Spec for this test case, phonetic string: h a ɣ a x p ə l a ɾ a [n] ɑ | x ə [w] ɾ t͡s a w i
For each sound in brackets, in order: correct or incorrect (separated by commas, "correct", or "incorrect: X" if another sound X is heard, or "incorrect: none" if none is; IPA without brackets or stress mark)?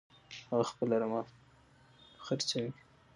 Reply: incorrect: m, incorrect: none